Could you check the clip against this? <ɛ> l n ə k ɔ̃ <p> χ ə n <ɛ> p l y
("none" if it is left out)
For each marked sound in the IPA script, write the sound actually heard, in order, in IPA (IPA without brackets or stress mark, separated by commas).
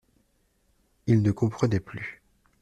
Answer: i, p, ɛ